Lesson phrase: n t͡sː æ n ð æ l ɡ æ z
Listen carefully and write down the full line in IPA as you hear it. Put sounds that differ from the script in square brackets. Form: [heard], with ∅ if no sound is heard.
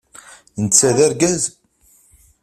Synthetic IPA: n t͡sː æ [∅] ð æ [ɾ] ɡ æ z

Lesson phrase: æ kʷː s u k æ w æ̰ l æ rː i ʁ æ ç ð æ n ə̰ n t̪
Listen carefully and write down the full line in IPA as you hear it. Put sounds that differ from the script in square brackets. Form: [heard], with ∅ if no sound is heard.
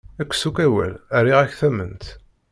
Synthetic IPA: æ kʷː s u k æ w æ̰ l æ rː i ʁ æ ç [θ] æ [m] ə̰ n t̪

